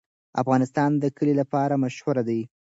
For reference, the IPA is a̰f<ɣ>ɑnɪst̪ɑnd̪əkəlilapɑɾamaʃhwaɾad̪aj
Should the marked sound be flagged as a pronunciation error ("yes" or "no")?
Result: no